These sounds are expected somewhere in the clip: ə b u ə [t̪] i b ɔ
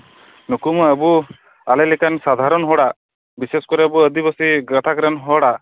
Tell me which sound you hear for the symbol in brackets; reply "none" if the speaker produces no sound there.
d̪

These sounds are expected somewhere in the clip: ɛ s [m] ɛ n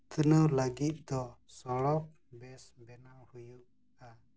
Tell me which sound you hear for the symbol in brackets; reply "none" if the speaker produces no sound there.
b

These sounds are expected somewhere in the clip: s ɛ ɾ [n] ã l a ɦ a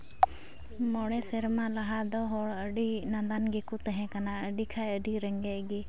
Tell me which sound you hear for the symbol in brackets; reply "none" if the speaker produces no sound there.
m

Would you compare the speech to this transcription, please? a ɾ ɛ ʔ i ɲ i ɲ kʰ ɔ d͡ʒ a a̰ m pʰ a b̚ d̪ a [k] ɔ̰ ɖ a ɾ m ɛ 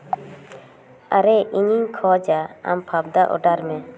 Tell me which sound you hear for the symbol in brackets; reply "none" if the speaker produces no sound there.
ʔ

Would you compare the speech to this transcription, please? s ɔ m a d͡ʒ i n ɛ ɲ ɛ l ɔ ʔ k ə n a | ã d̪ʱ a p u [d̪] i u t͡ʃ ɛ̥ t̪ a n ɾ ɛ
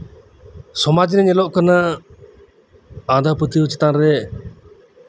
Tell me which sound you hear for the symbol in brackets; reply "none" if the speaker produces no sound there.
t̪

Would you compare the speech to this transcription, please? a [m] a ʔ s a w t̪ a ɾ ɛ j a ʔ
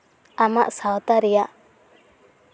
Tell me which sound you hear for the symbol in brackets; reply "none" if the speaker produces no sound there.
m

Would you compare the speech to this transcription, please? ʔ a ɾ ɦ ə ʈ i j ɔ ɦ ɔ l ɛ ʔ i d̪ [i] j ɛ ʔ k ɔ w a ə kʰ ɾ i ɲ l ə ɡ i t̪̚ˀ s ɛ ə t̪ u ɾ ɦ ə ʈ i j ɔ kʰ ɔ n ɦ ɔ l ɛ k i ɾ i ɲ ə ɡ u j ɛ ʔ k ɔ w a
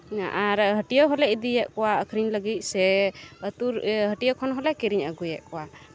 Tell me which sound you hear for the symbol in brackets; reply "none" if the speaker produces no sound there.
i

